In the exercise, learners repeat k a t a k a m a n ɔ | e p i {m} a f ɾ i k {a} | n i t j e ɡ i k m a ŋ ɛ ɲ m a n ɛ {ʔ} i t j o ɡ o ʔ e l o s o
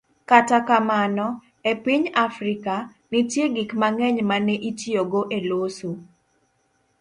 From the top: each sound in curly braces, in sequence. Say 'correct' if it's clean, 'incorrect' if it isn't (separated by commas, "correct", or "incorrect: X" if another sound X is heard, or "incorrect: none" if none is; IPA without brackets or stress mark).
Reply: incorrect: ɲ, correct, correct